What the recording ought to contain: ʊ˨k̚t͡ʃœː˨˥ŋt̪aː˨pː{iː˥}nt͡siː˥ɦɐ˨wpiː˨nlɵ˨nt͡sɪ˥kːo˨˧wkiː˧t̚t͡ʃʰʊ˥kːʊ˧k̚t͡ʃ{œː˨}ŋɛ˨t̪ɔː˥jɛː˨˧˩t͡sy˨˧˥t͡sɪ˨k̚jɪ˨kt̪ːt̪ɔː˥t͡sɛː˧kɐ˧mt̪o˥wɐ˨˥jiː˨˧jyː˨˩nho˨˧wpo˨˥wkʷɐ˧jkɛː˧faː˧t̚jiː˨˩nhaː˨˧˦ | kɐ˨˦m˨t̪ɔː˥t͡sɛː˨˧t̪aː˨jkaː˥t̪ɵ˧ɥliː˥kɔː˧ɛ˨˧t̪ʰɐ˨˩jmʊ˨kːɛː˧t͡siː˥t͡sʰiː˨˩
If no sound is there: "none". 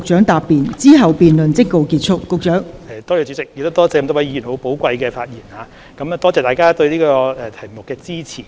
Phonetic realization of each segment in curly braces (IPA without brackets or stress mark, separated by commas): iː˨, œː˨˥